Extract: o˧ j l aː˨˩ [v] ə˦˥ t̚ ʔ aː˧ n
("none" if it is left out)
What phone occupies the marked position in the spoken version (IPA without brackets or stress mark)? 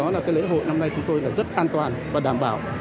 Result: z